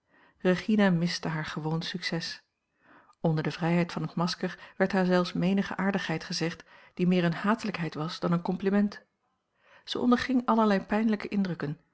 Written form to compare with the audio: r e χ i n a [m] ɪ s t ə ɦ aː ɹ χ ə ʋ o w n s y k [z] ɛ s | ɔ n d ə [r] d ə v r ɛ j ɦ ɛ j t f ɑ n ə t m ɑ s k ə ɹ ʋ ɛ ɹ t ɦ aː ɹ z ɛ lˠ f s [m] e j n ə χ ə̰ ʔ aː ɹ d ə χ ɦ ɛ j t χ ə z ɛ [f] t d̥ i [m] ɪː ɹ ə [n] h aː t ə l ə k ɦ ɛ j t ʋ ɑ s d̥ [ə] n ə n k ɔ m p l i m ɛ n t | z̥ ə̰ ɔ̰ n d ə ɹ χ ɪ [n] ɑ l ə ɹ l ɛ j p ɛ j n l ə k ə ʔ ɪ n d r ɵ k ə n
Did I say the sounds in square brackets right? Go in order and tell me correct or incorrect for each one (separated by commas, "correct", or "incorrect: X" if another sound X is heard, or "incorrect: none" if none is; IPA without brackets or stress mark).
correct, incorrect: s, incorrect: ɹ, correct, incorrect: χ, correct, correct, incorrect: ɑ, incorrect: ŋ